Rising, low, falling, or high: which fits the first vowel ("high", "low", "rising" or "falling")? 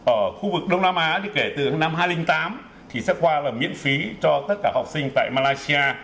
falling